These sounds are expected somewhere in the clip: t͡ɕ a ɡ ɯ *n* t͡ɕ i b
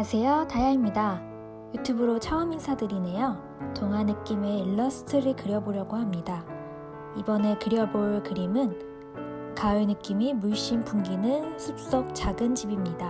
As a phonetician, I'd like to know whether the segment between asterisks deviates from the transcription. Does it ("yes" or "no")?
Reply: no